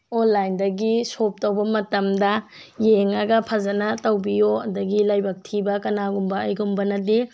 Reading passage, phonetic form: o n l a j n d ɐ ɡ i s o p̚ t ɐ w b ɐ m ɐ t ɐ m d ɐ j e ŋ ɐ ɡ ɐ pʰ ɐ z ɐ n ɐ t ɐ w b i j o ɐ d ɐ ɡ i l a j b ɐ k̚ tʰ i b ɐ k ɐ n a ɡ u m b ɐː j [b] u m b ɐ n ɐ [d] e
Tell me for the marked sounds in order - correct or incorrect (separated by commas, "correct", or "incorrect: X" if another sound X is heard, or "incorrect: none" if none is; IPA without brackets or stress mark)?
incorrect: ɡ, correct